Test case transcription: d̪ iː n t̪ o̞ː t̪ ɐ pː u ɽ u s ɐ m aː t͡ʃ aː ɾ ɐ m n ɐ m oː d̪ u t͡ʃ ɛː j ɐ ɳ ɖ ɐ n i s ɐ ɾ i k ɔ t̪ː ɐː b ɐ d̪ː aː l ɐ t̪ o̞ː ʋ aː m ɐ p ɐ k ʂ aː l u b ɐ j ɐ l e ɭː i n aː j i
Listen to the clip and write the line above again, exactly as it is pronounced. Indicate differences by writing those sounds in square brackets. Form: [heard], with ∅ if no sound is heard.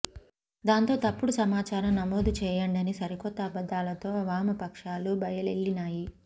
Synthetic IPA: d̪ [aː] n t̪ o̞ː t̪ ɐ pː u ɽ u s ɐ m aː t͡ʃ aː ɾ ɐ m n ɐ m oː d̪ u t͡ʃ ɛː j ɐ ɳ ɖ ɐ n i s ɐ ɾ i k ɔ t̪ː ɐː b ɐ d̪ː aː l ɐ t̪ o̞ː ʋ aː m ɐ p ɐ k ʂ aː l u b ɐ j ɐ l e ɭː i n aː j i